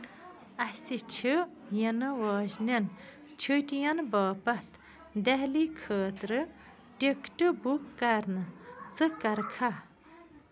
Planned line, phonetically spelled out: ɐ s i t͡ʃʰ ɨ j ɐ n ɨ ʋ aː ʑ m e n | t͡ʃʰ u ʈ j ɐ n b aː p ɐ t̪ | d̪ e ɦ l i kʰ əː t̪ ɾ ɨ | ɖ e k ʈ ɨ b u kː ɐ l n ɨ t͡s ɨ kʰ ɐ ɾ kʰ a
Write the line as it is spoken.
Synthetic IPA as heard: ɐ s i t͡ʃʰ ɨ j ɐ n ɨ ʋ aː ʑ n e n | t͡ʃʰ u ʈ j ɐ n b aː p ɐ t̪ | d̪ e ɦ l i kʰ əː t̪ ɾ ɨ | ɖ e k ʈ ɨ b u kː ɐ ɾ n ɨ t͡s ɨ k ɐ ɾ kʰ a

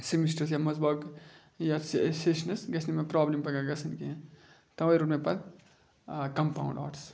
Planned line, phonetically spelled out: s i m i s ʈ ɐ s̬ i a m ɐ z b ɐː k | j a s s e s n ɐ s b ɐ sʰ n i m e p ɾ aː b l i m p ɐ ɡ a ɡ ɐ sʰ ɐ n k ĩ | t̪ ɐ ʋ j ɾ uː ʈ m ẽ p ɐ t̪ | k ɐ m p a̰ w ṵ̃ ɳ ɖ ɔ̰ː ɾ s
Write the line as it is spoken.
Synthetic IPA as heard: s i m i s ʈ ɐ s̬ j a m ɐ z b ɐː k | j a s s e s n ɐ s ɡ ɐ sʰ n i m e p ɾ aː b l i m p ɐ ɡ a ɡ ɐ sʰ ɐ n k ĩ | t̪ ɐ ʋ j ɾ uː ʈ m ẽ p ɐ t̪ | k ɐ m p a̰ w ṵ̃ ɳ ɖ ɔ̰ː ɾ s

